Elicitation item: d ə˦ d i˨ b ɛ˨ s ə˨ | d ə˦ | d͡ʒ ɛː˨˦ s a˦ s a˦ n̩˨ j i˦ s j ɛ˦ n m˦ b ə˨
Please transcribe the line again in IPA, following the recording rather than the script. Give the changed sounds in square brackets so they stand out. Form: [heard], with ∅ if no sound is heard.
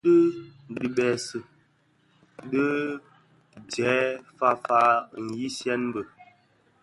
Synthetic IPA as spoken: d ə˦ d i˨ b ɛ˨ s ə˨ | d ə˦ | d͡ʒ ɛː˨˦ [f] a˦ [f] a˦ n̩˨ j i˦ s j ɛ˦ n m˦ b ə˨